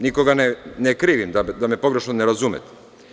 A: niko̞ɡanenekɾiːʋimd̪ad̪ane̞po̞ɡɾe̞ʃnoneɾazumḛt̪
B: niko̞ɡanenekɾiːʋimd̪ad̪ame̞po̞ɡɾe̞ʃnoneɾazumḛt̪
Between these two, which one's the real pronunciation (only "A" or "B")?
B